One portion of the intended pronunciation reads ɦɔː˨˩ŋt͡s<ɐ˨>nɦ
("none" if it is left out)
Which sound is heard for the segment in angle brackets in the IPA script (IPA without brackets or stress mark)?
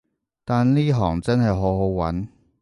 ɐ˥